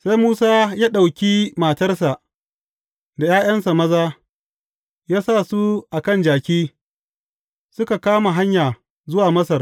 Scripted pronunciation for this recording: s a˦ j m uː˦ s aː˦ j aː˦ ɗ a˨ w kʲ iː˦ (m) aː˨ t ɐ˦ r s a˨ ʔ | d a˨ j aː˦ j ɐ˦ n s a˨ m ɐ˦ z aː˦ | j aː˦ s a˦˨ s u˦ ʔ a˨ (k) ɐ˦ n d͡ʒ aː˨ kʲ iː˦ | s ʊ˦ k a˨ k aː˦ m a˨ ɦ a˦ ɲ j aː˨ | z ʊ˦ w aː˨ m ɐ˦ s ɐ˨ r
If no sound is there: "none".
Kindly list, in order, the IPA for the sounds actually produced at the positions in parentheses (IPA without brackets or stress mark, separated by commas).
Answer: m, k